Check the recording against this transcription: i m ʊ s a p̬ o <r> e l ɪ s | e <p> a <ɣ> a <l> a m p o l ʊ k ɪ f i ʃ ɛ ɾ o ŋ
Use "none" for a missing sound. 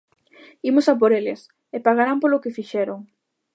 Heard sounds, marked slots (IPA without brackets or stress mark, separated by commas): ɾ, p, ɣ, ɾ